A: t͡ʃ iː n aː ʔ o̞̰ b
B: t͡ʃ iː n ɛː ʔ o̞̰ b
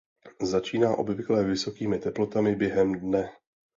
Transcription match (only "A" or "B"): A